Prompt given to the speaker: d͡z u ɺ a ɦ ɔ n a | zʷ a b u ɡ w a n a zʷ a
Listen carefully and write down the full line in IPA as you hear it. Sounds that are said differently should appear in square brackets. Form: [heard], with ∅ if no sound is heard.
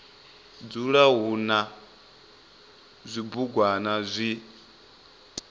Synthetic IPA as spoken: d͡z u ɺ a ɦ [u] n a | zʷ [i] b u ɡ w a n a zʷ [i]